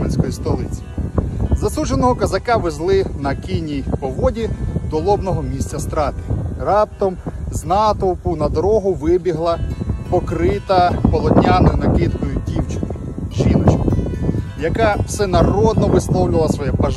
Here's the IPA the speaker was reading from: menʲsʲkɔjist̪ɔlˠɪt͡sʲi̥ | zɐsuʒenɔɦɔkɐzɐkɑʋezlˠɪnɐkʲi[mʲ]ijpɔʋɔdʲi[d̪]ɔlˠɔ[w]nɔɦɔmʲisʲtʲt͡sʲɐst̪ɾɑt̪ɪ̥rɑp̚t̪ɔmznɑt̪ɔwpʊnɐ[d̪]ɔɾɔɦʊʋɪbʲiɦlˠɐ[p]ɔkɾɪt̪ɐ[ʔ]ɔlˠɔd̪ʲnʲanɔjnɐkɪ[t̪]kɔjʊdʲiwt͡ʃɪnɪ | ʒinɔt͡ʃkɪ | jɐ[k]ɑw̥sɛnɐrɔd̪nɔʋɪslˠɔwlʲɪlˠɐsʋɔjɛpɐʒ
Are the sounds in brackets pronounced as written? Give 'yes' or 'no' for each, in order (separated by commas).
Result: no, yes, no, yes, yes, no, yes, yes